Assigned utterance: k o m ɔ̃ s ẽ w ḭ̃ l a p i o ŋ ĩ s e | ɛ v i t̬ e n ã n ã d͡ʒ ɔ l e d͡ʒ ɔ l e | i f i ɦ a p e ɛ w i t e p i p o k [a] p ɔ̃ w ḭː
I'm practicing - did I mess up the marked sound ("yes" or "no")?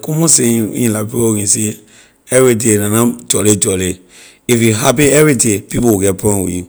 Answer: yes